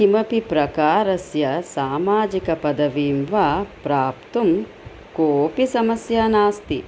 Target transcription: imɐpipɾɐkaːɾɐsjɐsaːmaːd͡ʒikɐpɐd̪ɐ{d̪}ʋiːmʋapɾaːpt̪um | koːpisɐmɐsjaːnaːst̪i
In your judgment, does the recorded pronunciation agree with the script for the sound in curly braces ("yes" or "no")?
no